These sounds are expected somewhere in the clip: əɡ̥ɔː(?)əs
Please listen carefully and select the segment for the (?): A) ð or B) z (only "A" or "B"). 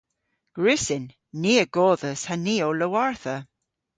A